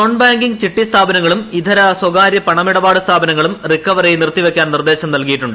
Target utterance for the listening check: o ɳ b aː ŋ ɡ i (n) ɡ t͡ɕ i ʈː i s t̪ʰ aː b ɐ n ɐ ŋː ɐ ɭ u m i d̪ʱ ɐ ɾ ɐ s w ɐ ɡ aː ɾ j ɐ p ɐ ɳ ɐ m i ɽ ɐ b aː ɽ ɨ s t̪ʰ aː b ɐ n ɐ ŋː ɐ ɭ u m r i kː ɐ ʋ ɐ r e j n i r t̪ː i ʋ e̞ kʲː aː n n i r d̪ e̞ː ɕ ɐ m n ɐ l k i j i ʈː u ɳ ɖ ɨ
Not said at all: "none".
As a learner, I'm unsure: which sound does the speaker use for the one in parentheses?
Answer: ŋ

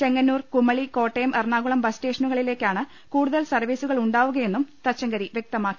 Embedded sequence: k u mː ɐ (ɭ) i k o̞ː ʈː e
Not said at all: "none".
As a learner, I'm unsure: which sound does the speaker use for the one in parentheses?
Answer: ɭ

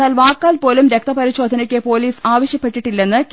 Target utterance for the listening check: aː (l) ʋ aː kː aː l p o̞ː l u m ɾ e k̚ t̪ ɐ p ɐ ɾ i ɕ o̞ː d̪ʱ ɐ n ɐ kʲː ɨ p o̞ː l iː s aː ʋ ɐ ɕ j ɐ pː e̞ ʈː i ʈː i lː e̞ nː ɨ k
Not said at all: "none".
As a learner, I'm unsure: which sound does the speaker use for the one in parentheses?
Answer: l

